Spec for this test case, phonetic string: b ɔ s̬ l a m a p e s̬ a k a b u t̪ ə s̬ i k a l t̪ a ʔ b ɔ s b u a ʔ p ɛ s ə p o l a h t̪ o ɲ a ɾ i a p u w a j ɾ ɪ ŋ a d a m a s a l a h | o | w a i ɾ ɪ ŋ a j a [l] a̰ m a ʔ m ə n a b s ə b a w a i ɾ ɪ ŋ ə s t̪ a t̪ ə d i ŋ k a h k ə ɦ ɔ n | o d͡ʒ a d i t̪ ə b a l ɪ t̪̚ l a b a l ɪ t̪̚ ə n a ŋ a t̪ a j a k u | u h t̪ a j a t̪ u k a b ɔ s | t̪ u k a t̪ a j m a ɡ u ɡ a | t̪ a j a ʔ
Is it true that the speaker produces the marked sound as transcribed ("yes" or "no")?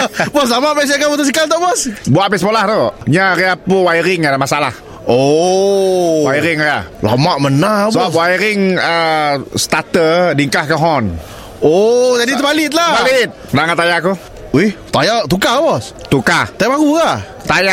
yes